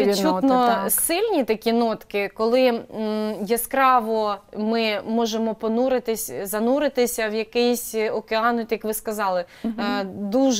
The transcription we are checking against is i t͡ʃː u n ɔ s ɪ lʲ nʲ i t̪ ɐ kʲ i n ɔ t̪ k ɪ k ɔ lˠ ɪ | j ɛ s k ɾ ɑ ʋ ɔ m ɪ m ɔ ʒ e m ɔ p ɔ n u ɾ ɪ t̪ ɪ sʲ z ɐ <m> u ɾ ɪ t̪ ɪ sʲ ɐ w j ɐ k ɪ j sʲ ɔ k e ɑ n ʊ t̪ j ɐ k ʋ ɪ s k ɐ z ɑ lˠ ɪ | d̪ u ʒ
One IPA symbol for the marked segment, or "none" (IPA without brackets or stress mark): n